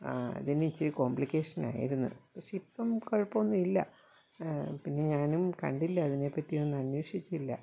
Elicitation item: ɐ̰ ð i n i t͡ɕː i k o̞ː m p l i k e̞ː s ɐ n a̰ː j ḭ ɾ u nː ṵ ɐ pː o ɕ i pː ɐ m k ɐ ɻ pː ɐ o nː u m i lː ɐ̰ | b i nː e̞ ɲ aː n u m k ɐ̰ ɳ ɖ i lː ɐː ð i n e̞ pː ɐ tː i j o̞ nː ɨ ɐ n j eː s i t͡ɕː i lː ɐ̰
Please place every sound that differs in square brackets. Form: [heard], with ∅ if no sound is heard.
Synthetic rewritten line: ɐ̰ ð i n i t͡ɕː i k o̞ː m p l i k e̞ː [ʂ] ɐ n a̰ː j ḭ ɾ u nː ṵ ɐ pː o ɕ i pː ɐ m k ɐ ɻ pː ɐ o nː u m i lː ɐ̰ | [p] i nː e̞ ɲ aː n u m k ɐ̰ ɳ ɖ i lː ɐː ð i n e̞ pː ɐ tː i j o̞ nː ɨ ɐ n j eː [ʂ] i t͡ɕː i lː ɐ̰